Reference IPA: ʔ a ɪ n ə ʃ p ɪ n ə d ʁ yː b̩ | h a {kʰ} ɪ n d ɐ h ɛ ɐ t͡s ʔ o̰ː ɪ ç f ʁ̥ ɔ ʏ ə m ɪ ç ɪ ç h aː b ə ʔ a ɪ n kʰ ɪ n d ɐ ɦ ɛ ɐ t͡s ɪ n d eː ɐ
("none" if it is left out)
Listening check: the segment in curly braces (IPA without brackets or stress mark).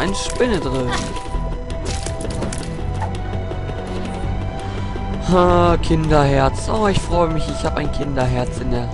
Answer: kʰ